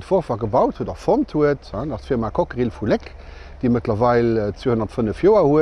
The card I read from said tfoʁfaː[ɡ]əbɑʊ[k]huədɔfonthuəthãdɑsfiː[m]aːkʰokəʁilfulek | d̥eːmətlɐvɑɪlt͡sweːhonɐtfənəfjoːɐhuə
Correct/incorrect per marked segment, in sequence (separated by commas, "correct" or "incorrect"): correct, incorrect, correct